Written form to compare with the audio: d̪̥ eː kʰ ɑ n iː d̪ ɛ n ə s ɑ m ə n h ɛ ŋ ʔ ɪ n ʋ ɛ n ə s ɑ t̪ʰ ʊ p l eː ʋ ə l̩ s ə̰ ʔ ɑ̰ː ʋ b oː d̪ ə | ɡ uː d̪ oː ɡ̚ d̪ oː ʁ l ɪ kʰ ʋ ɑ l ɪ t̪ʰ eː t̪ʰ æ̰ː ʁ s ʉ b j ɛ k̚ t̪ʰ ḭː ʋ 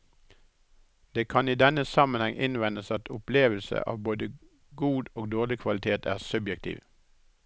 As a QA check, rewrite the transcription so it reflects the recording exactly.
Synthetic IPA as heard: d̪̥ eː kʰ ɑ n iː d̪ ɛ n ə s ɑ m ə n h ɛ ŋ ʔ ɪ n ʋ ɛ n ə s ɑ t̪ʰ ʊ p l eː ʋ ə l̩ s ə̰ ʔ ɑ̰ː ʋ b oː d̪ ə | ɡ uː d̪ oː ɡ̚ d̪ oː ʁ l ɪ kʰ ʋ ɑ l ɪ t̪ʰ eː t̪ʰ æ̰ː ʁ s ʉ b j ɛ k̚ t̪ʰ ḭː ʋ